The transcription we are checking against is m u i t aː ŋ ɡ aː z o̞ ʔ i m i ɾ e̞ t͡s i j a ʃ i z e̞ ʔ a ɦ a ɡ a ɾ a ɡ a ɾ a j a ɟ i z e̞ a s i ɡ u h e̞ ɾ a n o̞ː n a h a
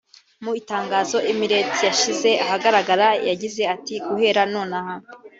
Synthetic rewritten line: m u i t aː ŋ ɡ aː z o̞ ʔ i m i ɾ e̞ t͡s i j a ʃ i z e̞ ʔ a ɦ a ɡ a ɾ a ɡ a ɾ a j a ɟ i z e̞ a t i ɡ u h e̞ ɾ a n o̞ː n a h a